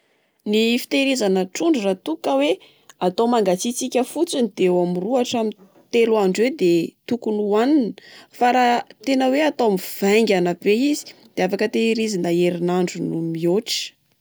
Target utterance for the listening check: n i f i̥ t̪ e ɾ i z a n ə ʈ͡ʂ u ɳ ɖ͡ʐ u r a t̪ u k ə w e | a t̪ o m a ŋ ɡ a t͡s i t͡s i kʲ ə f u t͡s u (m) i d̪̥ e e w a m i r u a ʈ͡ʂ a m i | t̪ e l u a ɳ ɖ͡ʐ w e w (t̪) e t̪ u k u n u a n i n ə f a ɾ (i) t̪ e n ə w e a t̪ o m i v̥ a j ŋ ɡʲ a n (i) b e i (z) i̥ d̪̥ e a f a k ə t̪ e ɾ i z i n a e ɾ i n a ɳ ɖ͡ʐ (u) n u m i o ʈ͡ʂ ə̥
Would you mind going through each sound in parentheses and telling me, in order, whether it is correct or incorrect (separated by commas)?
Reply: incorrect, incorrect, incorrect, incorrect, correct, correct